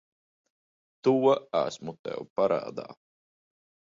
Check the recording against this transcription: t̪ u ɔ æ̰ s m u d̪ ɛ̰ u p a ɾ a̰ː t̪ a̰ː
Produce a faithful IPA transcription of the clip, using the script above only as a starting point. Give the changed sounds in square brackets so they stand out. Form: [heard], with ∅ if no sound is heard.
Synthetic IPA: t̪ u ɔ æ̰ s m u [t̪] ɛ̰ [w] p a ɾ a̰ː [d̪] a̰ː